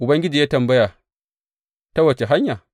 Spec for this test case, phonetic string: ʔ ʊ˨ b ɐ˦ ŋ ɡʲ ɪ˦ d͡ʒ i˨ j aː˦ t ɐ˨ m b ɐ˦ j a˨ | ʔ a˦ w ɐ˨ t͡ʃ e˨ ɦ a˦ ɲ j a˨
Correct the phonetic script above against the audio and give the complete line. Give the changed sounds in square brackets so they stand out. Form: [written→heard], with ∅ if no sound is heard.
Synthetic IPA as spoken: ʔ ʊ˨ b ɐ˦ ŋ ɡʲ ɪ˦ d͡ʒ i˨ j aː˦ t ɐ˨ m b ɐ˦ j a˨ | [ʔ→t] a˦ w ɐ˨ t͡ʃ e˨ ɦ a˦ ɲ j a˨